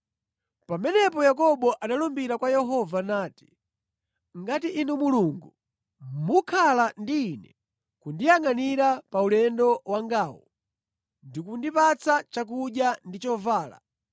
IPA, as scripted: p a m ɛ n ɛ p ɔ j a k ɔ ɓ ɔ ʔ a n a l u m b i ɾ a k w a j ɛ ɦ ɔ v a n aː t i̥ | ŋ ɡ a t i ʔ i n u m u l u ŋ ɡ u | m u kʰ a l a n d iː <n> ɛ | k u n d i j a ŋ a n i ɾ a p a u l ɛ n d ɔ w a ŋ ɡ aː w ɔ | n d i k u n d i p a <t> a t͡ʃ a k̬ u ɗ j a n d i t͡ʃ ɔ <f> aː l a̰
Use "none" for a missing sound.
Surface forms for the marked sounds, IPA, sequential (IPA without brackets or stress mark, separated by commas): n, t͡s, v